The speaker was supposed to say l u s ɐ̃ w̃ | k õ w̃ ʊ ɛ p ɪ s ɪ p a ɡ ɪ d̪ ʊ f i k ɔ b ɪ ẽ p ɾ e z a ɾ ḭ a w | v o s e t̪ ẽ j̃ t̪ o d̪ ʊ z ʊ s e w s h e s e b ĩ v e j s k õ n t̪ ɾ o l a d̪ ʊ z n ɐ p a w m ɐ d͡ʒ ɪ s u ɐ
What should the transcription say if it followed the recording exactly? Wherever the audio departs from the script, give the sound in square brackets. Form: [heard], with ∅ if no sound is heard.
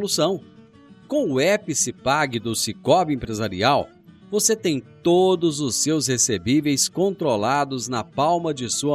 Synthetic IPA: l u s ɐ̃ w̃ | k õ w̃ ʊ ɛ p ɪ s ɪ p a ɡ ɪ d̪ ʊ [s] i k ɔ b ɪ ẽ p ɾ e z a ɾ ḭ a w | v o s e t̪ ẽ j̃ t̪ o d̪ ʊ z ʊ s e w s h e s e b [i] v e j s k õ n t̪ ɾ o l a d̪ ʊ z n ɐ p a w m ɐ d͡ʒ ɪ s u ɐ